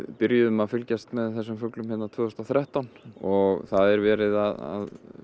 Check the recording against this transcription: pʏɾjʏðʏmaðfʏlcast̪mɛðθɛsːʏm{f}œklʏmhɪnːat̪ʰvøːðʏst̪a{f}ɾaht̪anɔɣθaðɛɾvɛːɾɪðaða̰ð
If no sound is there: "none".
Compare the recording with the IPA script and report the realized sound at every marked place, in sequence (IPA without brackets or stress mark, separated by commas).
f, θ